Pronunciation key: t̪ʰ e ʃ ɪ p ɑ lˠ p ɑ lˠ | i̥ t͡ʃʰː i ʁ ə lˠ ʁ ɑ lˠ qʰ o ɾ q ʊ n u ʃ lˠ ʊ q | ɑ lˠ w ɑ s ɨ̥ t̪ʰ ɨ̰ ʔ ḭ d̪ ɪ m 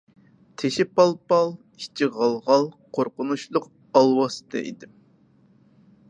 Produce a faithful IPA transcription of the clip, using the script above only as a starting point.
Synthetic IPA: t̪ʰ e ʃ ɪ p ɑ lˠ p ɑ lˠ | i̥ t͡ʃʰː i ʁ ɑ lˠ ʁ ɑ lˠ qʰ o ɾ q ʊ n u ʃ lˠ ʊ q | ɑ lˠ w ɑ s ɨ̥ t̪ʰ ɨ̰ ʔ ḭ d̪ ɪ m